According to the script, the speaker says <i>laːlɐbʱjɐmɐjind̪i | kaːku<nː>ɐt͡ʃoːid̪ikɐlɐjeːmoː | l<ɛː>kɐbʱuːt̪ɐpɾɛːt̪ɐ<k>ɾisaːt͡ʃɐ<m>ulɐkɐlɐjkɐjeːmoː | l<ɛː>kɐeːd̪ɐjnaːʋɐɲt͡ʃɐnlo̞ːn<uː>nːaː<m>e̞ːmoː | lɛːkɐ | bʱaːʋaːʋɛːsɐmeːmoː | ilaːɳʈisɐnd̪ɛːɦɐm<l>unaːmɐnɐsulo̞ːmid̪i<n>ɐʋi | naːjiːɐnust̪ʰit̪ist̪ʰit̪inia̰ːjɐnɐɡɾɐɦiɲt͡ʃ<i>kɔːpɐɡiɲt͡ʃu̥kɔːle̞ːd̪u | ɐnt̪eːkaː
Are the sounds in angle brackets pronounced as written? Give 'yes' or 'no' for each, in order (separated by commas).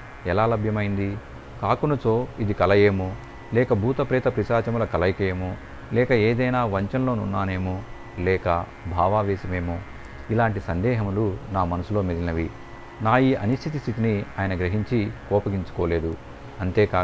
no, no, yes, no, yes, yes, no, no, yes, yes, yes